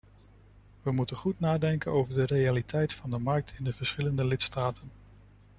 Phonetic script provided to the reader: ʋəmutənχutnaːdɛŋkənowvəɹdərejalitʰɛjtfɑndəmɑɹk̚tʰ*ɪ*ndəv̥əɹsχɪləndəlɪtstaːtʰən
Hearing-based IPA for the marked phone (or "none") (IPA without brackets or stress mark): ɪ